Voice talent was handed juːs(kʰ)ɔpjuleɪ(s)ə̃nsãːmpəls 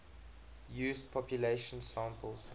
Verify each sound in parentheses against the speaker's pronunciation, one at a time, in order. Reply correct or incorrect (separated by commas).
incorrect, incorrect